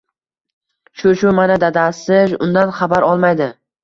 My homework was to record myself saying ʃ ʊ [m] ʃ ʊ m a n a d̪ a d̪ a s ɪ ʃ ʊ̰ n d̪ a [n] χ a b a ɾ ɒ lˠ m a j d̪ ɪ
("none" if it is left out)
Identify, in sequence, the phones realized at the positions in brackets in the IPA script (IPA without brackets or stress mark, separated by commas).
none, n